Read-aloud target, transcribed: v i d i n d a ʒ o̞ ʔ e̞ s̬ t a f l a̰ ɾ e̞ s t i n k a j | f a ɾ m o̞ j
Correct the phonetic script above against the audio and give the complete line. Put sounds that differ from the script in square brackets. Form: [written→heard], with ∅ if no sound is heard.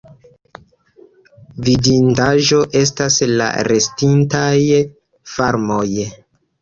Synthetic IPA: v i d i n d a ʒ o̞ ʔ e̞ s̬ t a [f→s] l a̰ ɾ e̞ s t i n [k→t] a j | f a ɾ m o̞ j